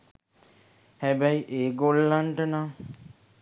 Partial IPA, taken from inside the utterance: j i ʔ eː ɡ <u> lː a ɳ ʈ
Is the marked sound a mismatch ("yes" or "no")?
yes